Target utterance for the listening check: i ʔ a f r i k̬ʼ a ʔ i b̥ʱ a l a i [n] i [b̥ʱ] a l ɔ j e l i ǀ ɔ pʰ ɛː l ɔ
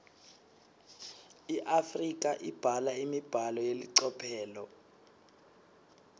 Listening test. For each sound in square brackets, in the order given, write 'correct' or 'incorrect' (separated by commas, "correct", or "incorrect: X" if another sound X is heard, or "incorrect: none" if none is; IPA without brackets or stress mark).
incorrect: m, correct